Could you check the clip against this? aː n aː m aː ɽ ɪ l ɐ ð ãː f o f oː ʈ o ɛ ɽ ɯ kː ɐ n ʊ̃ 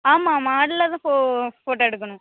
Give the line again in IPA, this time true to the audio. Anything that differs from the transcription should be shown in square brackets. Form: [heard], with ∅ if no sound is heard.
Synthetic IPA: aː [m] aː m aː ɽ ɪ l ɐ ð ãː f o f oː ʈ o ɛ ɽ ɯ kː ɐ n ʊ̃